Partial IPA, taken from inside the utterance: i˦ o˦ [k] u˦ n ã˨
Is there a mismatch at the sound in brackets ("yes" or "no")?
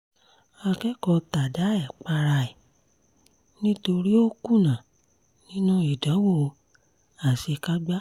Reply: no